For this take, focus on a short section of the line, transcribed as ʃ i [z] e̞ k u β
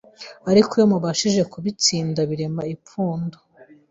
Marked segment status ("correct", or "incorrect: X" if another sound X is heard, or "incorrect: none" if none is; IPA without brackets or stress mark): incorrect: ʒ